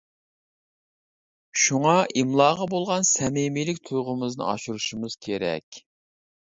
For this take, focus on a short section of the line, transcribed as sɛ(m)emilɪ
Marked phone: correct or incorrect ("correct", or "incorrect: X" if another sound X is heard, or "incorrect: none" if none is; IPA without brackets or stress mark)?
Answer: correct